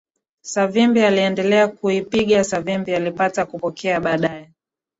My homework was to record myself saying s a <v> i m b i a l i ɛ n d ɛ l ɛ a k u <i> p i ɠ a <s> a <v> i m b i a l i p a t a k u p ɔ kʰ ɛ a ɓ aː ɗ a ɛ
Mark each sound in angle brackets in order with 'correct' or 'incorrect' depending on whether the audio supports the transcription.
correct, correct, correct, correct

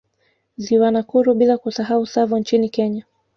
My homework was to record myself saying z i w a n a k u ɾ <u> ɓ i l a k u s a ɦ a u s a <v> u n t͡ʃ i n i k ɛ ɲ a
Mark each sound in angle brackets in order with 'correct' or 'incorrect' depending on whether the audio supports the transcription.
correct, correct

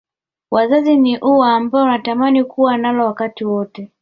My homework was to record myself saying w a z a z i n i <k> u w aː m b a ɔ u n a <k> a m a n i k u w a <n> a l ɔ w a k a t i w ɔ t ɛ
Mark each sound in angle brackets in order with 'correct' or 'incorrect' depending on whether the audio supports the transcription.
incorrect, incorrect, correct

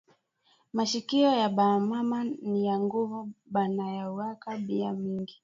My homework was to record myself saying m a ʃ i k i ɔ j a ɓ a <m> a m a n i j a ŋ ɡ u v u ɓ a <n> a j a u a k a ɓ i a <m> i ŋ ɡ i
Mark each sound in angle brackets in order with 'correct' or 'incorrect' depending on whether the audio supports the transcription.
correct, correct, correct

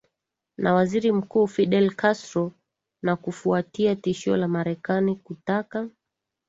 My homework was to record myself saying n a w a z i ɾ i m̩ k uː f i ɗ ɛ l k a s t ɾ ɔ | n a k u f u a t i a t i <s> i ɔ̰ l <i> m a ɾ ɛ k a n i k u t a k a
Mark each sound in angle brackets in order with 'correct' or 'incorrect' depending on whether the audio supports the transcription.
incorrect, incorrect

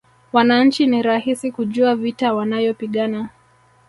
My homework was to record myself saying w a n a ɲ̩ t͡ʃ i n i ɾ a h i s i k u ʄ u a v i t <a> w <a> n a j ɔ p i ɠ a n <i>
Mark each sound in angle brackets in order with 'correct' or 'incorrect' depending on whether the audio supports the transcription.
correct, correct, incorrect

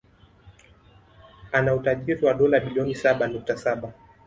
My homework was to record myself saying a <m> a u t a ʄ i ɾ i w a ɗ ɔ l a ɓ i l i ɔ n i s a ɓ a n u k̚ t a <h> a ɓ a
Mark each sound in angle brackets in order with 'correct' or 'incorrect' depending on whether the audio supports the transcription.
incorrect, incorrect

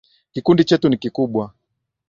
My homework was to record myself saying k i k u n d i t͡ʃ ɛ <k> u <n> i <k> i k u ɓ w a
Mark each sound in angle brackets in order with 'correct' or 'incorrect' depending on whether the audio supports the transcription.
incorrect, correct, correct

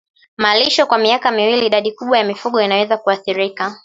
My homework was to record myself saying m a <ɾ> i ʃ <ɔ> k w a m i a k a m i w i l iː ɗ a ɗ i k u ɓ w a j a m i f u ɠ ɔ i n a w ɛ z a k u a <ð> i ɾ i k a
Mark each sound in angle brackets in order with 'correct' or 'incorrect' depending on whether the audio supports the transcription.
incorrect, correct, incorrect

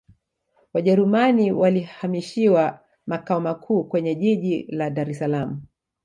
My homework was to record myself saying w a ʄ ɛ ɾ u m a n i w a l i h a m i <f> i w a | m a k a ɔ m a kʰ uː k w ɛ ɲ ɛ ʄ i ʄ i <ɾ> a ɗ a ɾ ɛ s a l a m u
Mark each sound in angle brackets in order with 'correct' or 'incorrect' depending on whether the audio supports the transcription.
incorrect, incorrect

